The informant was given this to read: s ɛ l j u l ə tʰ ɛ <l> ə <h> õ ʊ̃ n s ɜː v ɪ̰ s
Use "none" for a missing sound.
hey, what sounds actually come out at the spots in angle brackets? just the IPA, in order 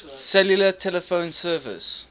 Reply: l, f

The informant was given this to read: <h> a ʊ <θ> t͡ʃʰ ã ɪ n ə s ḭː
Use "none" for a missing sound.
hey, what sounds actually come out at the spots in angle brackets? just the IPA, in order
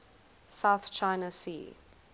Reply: s, θ

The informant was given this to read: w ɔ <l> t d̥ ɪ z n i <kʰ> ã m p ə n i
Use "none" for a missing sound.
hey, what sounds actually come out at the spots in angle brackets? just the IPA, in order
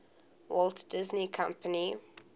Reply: l, kʰ

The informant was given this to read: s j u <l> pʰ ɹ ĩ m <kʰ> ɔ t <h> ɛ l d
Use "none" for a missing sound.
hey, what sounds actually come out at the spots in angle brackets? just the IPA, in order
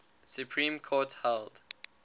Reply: none, kʰ, h

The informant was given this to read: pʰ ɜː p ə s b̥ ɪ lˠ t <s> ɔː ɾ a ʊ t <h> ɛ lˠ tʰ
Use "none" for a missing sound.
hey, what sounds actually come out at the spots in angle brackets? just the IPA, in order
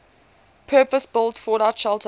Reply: f, ʃ

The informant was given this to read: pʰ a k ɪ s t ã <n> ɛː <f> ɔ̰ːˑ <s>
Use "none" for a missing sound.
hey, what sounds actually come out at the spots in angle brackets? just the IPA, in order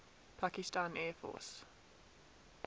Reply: n, f, s

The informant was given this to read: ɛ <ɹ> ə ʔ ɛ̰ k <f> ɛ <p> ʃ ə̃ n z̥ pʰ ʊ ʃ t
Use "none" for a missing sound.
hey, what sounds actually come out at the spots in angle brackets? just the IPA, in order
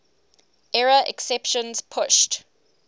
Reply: ɹ, s, p

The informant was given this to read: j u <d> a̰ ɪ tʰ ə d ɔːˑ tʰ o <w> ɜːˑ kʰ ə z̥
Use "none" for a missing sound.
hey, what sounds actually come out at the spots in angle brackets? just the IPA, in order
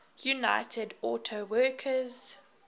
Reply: n, w

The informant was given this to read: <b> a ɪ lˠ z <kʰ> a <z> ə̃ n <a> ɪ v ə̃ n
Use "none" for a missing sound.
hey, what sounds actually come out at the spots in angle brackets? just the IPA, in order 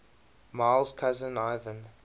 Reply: m, kʰ, z, a

